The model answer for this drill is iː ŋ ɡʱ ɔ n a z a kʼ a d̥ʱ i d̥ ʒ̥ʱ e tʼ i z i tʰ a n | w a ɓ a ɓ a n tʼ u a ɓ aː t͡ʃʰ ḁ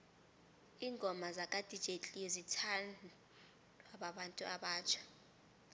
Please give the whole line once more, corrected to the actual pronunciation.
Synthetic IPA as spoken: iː ŋ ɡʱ ɔ m a z a kʼ a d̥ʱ i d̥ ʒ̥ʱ e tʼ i z i tʰ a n | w a ɓ a ɓ a n tʼ u a ɓ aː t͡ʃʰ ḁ